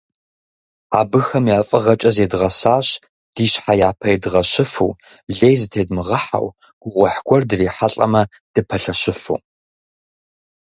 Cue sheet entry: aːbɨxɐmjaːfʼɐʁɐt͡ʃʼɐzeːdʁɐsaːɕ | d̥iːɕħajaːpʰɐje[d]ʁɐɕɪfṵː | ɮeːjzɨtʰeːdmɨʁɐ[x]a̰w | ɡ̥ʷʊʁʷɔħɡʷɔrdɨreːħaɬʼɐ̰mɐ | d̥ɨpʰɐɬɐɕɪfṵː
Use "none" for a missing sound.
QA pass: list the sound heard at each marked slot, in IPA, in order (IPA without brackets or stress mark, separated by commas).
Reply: d, ħ